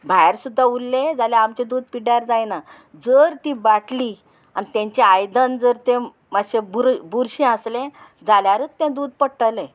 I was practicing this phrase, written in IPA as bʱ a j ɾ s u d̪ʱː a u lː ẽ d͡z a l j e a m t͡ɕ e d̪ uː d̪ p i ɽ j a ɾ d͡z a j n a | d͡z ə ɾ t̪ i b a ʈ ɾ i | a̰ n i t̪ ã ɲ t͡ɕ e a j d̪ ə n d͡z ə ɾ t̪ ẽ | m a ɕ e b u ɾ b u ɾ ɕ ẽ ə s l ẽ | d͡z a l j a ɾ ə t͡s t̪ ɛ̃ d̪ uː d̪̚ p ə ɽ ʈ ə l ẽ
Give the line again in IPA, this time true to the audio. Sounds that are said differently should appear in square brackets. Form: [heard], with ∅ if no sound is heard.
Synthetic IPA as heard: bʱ a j ɾ s u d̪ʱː a u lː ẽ d͡z a l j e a m t͡ɕ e d̪ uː d̪ p i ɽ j a ɾ d͡z a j n a | d͡z ə ɾ t̪ i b a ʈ [l] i | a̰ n i t̪ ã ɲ t͡ɕ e a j d̪ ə n d͡z ə ɾ t̪ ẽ | m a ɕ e b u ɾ b u ɾ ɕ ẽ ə s l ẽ | d͡z a l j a ɾ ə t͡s t̪ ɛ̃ d̪ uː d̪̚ p ə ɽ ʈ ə l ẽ